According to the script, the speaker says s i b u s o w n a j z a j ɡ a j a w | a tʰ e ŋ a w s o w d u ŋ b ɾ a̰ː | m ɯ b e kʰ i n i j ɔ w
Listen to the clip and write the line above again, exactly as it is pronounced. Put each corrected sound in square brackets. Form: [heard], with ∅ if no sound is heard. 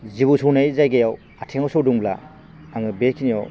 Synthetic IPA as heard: [z] i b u s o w n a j z a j ɡ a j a w | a tʰ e ŋ a w s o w d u ŋ b [l] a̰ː | [ŋ] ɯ b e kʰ i n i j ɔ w